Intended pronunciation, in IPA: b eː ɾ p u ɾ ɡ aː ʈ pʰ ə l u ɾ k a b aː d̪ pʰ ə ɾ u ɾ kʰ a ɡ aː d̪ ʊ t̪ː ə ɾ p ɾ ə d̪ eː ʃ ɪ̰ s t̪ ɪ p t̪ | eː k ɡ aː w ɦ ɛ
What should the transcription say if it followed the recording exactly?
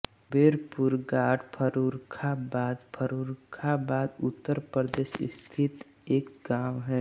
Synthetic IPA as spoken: b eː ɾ p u ɾ ɡ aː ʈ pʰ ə ɾ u ɾ kʰ a b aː d̪ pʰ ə ɾ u ɾ kʰ a b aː d̪ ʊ t̪ː ə ɾ p ɾ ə d̪ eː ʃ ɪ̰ s t̪ʰ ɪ t̪ | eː k ɡ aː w ɦ ɛ